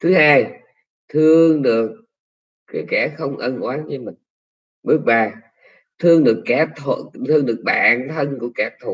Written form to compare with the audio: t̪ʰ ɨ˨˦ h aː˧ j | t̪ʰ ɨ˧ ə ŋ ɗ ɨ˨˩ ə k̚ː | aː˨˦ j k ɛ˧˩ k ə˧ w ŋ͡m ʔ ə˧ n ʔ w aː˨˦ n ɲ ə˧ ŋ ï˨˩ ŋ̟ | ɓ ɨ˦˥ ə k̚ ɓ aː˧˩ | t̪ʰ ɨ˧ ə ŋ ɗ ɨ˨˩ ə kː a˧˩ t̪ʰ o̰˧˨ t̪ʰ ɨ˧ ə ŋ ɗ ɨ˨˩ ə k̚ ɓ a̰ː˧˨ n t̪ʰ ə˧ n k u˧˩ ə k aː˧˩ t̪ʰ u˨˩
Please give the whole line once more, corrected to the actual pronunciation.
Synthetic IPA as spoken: t̪ʰ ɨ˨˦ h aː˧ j | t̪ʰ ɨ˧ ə ŋ ɗ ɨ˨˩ ə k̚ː | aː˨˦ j k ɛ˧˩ x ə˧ w ŋ͡m ʔ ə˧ n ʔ w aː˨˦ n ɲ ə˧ m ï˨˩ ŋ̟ | ɓ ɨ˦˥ ə k̚ ɓ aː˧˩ | t̪ʰ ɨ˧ ə ŋ ɗ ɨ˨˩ ə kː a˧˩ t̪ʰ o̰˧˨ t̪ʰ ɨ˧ ə ŋ ɗ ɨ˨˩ ə k̚ ɓ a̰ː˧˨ n t̪ʰ ə˧ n k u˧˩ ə k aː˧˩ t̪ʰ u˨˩